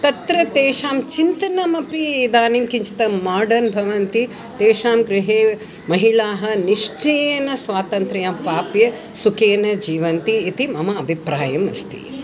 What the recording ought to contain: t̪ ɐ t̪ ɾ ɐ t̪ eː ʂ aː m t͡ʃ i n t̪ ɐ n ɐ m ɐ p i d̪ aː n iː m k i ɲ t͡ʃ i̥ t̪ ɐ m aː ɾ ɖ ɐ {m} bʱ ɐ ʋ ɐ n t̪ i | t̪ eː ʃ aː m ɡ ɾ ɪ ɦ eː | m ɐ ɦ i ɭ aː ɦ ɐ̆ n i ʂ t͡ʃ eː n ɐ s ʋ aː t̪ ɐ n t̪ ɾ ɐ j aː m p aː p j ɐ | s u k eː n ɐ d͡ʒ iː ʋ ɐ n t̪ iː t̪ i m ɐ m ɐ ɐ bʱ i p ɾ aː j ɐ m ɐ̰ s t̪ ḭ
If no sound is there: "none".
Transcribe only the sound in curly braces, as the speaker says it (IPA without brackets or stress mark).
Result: n